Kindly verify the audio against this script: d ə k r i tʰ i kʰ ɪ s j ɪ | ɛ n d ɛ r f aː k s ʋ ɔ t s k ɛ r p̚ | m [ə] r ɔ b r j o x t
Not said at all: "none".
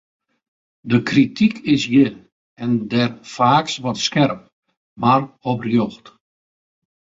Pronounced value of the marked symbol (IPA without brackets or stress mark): a